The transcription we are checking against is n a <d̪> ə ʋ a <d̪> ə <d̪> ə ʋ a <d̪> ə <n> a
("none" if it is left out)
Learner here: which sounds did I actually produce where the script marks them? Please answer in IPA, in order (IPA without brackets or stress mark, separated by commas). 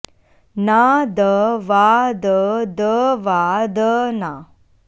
d̪, d̪, d̪, d̪, n